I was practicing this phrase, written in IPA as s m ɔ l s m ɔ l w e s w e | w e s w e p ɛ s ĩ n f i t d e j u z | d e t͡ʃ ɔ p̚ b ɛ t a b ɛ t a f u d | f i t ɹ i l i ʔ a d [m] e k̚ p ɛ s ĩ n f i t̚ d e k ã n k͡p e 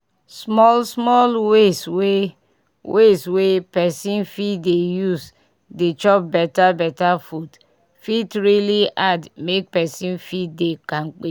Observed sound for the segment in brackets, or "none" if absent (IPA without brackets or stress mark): m